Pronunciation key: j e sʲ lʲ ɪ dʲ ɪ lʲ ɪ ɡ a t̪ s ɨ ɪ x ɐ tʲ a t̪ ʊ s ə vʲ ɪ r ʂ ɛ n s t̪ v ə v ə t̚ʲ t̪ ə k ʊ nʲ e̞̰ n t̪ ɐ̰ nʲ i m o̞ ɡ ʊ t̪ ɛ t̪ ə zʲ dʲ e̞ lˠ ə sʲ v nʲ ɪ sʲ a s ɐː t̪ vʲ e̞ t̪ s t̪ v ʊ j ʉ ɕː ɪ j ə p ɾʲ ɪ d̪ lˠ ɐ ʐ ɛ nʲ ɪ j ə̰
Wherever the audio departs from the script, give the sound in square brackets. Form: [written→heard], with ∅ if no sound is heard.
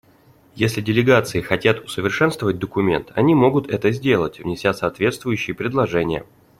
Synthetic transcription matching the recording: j e sʲ lʲ ɪ dʲ ɪ lʲ ɪ ɡ a t̪ s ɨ ɪ x ɐ tʲ a t̪ ʊ s ə vʲ ɪ r ʂ ɛ n s t̪ v ə v ə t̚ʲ [t̪→d̪] ə k ʊ [nʲ→mʲ] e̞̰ n t̪ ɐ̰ nʲ i m o̞ ɡ ʊ t̪ ɛ t̪ ə zʲ dʲ e̞ lˠ ə [sʲ→tʲ] v nʲ ɪ sʲ a s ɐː t̪ vʲ e̞ t̪ s t̪ v ʊ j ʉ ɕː ɪ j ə p ɾʲ ɪ d̪ lˠ ɐ ʐ ɛ nʲ ɪ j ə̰